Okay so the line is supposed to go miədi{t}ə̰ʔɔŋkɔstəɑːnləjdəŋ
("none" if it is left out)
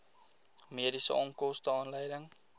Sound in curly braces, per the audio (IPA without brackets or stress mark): s